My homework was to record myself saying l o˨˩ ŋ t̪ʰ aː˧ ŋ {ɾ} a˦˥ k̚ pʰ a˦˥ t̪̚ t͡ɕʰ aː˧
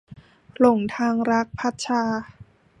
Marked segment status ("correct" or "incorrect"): correct